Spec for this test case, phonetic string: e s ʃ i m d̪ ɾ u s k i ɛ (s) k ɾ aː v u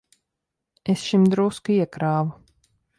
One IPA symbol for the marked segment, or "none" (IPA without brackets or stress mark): none